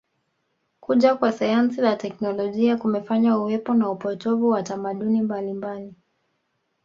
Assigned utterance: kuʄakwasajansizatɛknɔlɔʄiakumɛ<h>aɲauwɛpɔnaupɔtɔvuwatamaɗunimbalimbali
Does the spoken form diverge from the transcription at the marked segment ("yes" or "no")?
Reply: yes